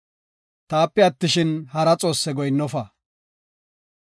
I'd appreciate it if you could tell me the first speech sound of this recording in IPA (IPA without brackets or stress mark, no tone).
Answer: t̪